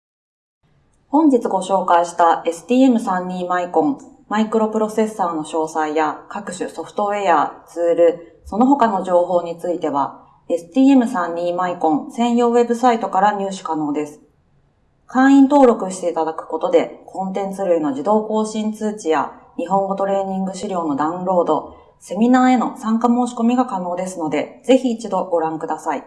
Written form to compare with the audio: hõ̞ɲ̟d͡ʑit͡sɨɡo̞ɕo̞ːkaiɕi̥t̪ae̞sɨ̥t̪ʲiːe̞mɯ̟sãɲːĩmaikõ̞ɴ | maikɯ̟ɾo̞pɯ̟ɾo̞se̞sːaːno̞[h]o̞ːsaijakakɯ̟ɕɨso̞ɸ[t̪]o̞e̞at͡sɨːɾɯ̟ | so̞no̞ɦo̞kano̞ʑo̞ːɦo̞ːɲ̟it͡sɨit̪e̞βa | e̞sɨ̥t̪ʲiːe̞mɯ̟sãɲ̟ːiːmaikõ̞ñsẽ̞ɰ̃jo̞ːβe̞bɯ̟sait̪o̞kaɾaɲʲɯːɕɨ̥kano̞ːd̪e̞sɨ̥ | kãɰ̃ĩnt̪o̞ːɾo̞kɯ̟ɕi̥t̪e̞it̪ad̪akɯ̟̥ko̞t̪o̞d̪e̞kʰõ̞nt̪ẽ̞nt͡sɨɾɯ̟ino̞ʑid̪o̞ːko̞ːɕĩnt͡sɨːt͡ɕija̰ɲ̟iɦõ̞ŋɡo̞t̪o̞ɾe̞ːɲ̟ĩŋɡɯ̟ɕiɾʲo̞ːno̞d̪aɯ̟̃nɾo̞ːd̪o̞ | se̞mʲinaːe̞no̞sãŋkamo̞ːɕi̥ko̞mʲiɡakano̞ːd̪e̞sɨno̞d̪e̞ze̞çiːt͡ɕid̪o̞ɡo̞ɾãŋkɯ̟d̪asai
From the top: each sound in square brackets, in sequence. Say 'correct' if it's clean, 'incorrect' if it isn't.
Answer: incorrect, correct

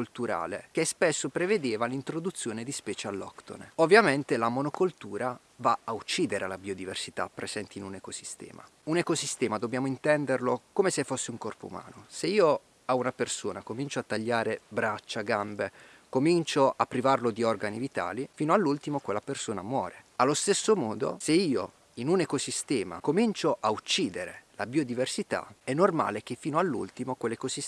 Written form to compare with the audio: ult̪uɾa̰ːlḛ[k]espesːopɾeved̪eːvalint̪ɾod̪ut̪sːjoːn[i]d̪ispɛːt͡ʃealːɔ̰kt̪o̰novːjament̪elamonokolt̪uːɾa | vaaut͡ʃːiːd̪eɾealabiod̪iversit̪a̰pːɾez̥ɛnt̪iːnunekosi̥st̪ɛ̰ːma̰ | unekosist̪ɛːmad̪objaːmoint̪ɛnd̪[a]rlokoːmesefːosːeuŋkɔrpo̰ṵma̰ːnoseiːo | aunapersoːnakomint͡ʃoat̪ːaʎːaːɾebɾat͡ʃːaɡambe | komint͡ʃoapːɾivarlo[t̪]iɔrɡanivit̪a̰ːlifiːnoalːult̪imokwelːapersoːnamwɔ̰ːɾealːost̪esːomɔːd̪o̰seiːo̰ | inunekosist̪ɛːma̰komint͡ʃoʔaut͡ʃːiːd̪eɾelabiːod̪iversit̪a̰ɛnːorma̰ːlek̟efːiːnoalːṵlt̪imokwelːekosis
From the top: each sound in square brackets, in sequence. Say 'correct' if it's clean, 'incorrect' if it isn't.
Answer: correct, incorrect, incorrect, incorrect

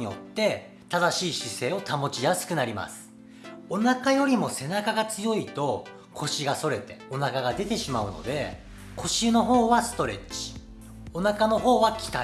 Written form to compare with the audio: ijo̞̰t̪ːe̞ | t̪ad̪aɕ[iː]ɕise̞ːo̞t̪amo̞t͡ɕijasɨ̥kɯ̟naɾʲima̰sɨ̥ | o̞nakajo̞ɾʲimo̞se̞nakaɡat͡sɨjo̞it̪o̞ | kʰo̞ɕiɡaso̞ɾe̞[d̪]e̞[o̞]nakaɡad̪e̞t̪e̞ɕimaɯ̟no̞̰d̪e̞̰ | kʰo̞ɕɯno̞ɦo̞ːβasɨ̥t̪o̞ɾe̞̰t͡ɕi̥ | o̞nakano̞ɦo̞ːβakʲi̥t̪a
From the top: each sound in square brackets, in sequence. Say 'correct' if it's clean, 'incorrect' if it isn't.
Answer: correct, incorrect, correct

